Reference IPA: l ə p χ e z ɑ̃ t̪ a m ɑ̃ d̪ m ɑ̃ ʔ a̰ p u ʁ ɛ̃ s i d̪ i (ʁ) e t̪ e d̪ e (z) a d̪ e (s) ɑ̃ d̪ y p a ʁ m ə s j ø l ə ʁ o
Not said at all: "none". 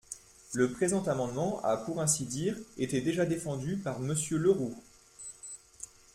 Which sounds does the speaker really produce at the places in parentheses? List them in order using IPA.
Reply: ʁ, ʒ, f

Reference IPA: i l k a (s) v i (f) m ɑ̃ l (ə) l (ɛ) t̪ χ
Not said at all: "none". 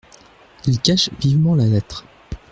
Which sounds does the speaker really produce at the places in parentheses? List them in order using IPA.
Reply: ʃ, v, a, ɛ

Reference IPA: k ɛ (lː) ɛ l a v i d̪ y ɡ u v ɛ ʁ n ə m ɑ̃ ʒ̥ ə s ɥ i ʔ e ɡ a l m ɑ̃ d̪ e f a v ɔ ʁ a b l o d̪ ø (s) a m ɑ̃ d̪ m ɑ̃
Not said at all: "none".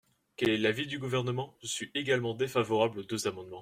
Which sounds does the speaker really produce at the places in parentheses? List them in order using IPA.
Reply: l, z

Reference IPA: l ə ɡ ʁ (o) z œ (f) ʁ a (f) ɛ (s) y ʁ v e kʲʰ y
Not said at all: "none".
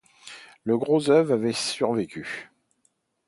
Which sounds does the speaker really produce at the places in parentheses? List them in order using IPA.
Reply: o, v, v, s

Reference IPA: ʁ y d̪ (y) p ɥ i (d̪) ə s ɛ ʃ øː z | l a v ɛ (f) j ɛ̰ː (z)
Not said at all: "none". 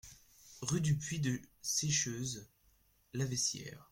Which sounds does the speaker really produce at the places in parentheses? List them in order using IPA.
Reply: y, d̪, s, ʁ

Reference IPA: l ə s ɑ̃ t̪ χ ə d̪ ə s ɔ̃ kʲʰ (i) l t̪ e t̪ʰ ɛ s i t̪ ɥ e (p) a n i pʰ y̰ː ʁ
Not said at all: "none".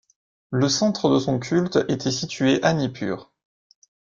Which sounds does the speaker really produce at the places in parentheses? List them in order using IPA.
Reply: y, ʔ

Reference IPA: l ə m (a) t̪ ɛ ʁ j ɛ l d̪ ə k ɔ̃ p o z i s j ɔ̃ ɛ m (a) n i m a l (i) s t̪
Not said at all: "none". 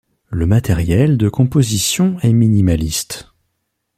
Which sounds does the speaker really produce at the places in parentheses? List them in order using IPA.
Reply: a, i, i

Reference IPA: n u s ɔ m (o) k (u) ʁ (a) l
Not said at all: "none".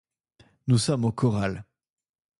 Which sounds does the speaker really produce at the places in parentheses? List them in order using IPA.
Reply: o, ɔ, a

